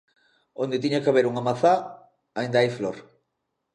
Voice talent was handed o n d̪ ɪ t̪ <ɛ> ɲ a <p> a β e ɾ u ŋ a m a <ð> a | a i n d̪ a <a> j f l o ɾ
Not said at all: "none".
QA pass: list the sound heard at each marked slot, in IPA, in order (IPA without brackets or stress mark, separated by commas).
i, k, θ, a